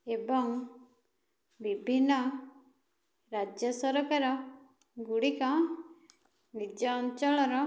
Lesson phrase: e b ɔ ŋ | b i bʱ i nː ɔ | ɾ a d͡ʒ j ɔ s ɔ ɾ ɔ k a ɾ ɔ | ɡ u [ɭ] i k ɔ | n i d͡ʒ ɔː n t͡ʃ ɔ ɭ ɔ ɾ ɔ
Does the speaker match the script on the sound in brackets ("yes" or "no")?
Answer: no